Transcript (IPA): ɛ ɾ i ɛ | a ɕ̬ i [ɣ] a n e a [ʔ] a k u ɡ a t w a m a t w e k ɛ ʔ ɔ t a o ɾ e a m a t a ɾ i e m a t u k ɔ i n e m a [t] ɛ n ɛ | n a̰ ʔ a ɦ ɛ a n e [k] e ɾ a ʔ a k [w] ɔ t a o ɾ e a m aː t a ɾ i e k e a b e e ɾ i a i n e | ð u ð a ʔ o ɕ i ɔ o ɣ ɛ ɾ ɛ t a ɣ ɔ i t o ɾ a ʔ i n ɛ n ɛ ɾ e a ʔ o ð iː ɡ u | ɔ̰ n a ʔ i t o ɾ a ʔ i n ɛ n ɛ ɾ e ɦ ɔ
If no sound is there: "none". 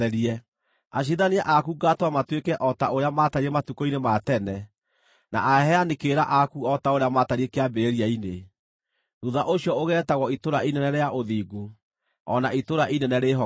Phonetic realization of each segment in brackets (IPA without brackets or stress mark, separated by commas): ð, ʔ, t, k, u